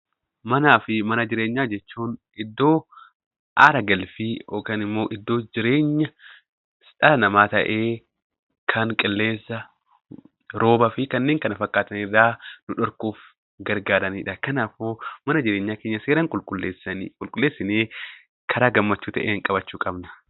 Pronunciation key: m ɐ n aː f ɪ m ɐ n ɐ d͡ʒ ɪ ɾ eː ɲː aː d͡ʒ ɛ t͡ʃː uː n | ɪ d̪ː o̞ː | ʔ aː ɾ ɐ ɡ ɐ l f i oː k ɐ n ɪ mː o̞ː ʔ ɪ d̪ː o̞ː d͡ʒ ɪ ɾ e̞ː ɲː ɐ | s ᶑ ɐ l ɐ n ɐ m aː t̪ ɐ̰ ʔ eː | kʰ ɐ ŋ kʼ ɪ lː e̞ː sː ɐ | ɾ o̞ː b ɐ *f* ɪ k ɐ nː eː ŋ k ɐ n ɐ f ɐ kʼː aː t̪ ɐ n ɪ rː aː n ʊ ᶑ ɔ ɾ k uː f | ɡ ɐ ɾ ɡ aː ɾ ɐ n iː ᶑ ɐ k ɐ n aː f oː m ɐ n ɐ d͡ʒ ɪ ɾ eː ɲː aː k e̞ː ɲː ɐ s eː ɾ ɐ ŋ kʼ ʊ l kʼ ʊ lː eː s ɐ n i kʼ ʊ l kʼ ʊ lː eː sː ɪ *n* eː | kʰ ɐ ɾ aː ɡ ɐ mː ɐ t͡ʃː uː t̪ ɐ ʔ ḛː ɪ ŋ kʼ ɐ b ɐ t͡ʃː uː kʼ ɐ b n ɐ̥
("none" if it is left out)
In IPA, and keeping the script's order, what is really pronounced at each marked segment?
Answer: f, n

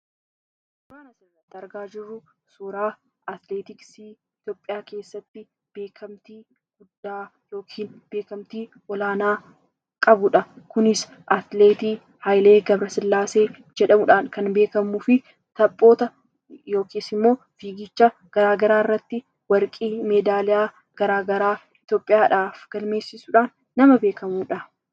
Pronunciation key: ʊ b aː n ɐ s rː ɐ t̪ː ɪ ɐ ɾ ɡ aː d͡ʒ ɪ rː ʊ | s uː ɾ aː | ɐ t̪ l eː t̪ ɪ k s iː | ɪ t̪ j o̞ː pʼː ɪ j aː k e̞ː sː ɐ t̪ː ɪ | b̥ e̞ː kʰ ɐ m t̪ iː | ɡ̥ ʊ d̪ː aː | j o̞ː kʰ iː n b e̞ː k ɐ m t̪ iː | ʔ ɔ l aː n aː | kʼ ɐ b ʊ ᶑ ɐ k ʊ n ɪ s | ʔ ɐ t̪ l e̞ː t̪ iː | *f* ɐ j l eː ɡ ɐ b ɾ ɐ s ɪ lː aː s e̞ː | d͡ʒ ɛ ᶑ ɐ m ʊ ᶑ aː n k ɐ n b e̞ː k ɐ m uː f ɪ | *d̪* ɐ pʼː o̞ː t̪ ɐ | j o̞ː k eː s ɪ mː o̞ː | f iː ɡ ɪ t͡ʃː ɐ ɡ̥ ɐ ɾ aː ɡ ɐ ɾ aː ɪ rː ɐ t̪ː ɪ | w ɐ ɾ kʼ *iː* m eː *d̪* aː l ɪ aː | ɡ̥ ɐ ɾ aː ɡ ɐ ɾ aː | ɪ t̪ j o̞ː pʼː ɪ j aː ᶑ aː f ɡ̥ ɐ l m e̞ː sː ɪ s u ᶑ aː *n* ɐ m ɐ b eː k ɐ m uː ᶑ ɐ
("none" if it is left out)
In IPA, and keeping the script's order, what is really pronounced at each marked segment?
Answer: h, t̪, iː, d̪, nː

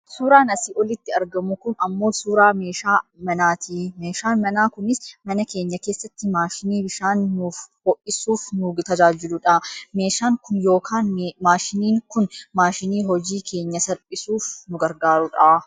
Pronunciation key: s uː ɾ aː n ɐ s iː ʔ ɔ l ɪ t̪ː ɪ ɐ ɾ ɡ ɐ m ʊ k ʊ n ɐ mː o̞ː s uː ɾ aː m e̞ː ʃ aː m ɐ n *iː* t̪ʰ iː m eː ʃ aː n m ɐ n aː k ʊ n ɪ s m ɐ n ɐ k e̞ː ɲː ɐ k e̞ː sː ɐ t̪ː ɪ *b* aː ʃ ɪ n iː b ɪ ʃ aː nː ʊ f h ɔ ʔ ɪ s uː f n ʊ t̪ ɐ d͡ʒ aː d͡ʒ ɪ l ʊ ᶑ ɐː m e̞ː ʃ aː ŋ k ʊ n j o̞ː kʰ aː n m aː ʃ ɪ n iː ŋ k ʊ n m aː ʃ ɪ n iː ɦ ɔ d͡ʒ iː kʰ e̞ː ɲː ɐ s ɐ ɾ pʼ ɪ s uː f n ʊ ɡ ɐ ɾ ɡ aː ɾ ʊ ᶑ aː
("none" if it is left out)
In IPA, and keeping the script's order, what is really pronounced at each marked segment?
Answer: aː, m

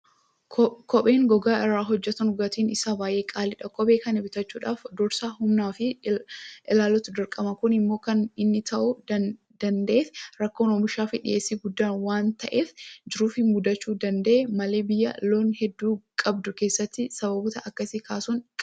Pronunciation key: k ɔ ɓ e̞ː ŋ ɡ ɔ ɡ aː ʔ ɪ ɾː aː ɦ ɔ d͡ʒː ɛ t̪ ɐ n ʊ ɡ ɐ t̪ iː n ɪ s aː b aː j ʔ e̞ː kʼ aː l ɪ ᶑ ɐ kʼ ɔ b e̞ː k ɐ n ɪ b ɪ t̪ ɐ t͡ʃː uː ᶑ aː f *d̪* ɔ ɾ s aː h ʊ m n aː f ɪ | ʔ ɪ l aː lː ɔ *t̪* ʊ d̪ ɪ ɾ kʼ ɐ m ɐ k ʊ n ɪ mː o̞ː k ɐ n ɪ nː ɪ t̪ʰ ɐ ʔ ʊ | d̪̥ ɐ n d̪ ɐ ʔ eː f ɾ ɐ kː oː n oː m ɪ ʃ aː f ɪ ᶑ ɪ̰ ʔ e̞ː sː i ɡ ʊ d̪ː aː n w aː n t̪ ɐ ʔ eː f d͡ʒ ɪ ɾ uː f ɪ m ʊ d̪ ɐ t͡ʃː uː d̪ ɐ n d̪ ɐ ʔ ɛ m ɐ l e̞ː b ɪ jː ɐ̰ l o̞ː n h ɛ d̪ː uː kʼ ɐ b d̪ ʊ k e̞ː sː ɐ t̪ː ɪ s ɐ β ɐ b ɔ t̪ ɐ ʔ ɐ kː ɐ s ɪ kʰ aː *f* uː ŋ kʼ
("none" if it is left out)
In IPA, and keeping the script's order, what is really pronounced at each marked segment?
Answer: d̪, t̪, s

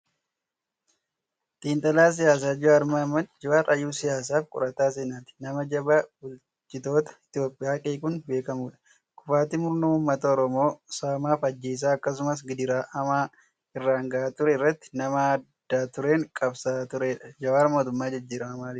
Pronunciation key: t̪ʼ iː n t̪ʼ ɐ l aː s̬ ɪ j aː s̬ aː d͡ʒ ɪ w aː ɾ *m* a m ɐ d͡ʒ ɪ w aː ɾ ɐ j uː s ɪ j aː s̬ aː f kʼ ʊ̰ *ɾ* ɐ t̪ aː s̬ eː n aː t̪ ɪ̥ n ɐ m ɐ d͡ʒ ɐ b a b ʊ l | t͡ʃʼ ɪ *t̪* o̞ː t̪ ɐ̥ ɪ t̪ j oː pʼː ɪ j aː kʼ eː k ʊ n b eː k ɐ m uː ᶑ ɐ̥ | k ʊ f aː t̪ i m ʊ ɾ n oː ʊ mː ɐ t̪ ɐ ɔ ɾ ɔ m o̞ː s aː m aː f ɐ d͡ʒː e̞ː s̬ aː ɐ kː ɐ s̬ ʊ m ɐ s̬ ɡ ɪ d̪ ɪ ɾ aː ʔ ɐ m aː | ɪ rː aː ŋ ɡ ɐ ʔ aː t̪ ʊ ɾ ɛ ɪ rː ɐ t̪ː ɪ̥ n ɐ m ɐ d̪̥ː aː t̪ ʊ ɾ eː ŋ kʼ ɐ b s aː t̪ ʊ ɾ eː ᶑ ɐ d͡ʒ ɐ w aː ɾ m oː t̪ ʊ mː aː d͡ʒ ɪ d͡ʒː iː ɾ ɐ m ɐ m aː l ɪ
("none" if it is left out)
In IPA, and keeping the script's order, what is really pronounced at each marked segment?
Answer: m, ɾ, t̪

